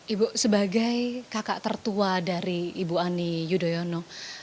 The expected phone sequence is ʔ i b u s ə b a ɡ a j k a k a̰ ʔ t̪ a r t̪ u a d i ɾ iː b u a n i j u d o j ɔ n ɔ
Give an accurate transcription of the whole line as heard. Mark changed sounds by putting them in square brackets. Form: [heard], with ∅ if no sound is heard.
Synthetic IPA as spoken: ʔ i b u s ə b a ɡ a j k a k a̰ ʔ t̪ [ə] r t̪ u a d [a] ɾ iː b u a n i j u d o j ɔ n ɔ